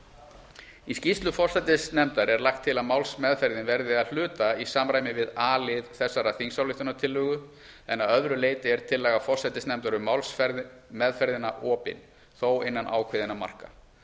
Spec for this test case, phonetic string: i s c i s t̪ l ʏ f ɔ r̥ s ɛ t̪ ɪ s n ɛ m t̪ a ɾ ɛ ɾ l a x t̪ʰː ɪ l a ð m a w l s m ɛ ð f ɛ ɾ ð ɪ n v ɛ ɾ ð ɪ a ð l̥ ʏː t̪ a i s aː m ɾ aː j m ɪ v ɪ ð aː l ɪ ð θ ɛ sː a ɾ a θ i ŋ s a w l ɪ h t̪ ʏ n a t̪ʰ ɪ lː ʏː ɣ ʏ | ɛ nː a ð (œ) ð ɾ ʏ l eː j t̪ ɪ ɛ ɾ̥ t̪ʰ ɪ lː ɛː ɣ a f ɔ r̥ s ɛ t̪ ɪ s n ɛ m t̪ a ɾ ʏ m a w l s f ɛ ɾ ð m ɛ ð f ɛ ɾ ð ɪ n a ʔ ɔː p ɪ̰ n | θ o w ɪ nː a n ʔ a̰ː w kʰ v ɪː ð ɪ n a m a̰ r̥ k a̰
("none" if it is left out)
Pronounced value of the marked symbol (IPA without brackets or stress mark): œ